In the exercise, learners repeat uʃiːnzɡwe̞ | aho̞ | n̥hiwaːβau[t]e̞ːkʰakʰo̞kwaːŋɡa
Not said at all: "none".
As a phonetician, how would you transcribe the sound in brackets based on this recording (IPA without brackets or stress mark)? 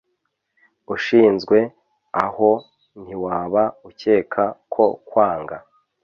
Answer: c